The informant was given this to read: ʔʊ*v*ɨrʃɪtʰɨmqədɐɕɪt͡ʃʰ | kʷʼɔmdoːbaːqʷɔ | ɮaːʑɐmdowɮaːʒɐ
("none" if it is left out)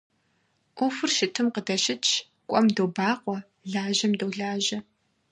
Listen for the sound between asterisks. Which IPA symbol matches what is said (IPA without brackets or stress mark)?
f